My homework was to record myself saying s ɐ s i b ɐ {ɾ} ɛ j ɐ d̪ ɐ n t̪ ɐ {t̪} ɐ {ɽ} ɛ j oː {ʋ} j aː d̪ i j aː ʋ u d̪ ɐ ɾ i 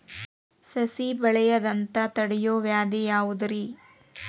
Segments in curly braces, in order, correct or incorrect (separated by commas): incorrect, correct, correct, correct